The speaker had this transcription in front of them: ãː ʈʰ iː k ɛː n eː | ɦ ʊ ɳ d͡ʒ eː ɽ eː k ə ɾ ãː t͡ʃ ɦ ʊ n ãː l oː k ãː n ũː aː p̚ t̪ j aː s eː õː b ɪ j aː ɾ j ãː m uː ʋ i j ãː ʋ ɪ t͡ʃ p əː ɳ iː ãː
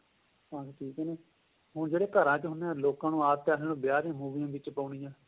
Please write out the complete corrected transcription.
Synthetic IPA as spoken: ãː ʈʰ iː k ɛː n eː | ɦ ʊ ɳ d͡ʒ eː ɽ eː k ə ɾ ãː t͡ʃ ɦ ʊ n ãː l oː k ãː n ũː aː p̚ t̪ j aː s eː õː b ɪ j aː ɾ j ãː m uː ʋ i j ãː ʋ ɪ t͡ʃ p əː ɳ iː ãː